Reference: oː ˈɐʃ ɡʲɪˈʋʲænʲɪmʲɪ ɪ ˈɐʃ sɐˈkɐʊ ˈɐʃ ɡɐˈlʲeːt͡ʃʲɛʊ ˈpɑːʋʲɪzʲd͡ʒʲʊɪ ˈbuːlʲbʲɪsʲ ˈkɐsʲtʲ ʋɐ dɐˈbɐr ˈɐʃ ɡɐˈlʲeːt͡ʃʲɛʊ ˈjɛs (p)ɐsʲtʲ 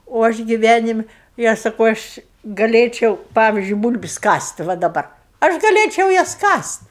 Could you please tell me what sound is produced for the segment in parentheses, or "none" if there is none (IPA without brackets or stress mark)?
k